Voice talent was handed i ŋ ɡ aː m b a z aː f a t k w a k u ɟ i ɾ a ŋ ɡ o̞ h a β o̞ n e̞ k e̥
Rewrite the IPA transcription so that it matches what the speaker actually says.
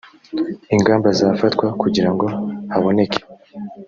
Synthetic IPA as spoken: i ŋ ɡ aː m b a z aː f a t k w a k u ɟ i ɾ a ŋ ɡ o̞ h a β o̞ n e̞ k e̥

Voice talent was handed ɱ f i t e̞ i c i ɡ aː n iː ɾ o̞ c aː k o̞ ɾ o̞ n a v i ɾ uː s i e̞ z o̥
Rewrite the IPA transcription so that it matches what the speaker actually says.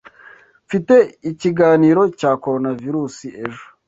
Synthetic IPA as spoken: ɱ f i t e̞ i c i ɡ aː n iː ɾ o̞ c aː k o̞ ɾ o̞ n a v i ɾ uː s i e̞ ʒ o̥

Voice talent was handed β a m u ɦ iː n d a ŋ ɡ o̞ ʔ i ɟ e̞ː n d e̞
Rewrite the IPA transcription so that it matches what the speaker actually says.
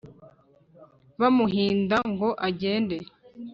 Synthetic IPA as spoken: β a m u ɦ iː n d a ŋ ɡ o̞ ʔ a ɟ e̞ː n d e̞

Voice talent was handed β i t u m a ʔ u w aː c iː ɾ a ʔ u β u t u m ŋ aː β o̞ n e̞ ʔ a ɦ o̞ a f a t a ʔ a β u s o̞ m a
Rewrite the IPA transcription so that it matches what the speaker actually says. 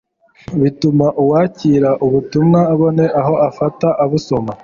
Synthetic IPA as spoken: β i t u m a ʔ u w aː c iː ɾ a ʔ u β u t u m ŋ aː β o̞ n e̞ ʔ a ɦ o̞ a f a t a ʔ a β u s o̞ m a

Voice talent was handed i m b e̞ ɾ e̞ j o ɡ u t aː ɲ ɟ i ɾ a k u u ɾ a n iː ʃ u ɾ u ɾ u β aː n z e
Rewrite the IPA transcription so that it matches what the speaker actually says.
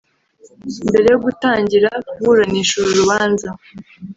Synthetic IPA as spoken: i m b e̞ ɾ e̞ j o ɡ u t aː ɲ ɟ i ɾ a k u u ɾ a n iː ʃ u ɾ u ɾ u β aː n z a

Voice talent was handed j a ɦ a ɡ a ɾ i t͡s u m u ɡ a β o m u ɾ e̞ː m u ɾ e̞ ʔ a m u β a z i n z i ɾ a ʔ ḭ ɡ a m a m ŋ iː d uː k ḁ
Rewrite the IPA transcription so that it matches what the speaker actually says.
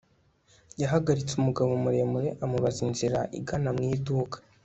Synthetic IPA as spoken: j a ɦ a ɡ a ɾ i t͡s u m u ɡ a β o m u ɾ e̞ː m u ɾ e̞ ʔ a m u β a z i n z i ɾ a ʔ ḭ ɡ a n a m ŋ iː d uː k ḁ

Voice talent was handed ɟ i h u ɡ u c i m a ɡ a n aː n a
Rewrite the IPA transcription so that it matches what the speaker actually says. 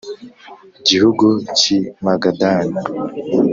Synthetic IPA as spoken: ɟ i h u ɡ u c i m a ɡ a d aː n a

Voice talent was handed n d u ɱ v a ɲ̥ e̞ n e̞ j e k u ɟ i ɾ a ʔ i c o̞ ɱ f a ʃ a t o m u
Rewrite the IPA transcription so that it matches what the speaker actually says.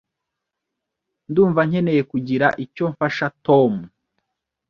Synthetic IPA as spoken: n d uː ɱ v a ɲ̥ e̞ n e̞ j e k u ɟ i ɾ a ʔ i c o̞ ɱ f a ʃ a t o m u

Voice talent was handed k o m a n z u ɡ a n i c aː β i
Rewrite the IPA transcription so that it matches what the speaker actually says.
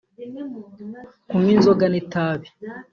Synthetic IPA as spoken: k u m i n z o ɡ a n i t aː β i

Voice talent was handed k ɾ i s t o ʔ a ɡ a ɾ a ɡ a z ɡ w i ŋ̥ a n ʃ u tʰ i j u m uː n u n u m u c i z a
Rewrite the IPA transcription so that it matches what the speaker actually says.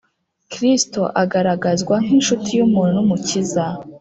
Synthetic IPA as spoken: k ɾ i s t o ʔ a ɡ a ɾ a ɡ a z ɡ w a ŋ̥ i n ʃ u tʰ i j u m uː n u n u m u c i z a

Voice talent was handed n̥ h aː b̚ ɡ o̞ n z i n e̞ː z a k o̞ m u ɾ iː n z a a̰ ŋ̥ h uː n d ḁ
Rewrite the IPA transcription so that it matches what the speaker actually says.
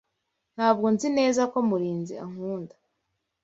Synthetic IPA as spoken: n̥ h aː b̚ ɡ o̞ n z i n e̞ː z a k o̞ m u ɾ iː n z i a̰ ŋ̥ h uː n d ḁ

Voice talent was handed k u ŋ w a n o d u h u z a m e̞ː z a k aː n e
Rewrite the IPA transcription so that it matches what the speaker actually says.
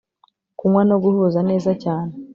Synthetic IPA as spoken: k u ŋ w a n o ɡ u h u z a n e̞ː z a c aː n e

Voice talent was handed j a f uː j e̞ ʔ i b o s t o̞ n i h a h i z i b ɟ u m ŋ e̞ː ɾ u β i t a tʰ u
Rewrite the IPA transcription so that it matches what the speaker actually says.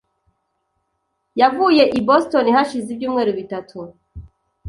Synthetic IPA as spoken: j a v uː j e̞ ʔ i b o s t o̞ n i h a ʃ i z i b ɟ uː m ŋ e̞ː ɾ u β i t a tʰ u

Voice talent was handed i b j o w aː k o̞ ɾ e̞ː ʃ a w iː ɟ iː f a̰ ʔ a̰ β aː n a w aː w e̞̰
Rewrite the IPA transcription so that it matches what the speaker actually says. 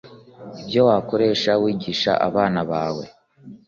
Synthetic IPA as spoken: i b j o w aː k o̞ ɾ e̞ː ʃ a w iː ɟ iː ʃ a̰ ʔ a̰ β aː n a β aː w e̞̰

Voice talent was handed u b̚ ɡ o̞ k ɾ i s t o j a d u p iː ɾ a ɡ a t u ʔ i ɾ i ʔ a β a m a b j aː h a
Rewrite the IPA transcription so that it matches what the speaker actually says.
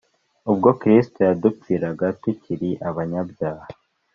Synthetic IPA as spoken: u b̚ ɡ o̞ k ɾ i s t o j a d u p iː ɾ a ɡ a t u c i ɾ i ʔ a β a ɲ a b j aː h a

